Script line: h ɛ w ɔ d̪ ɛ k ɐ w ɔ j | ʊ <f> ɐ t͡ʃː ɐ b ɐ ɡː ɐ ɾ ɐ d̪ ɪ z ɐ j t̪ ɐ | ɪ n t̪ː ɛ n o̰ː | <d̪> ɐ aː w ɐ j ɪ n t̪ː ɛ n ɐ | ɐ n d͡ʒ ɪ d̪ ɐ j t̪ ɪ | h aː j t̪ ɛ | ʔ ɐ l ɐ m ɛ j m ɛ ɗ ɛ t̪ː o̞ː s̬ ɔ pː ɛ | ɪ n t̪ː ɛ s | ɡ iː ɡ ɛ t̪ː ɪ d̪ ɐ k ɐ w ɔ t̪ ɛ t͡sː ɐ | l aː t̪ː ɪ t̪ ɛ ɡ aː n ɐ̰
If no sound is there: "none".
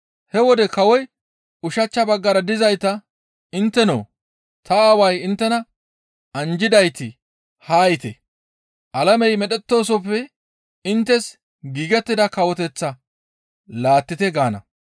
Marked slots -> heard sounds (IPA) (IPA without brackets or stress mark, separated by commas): ʃ, t̪